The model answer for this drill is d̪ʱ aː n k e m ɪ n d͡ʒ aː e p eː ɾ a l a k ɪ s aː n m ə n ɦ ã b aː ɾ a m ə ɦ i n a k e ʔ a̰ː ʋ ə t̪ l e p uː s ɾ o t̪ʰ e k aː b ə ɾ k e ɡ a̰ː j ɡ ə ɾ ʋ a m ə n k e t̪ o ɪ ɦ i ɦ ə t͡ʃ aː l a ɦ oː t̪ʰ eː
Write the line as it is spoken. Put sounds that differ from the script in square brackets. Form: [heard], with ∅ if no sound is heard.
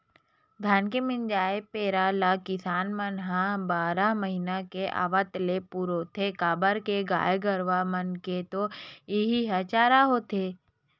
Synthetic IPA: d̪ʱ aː n k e m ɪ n d͡ʒ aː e p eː ɾ a l a k ɪ s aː n m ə n ɦ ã b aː ɾ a m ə ɦ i n a k e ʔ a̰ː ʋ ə t̪ l e p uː [∅] ɾ o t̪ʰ e k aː b ə ɾ k e ɡ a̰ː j ɡ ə ɾ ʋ a m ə n k e t̪ o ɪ ɦ i ɦ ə t͡ʃ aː [ɾ] a ɦ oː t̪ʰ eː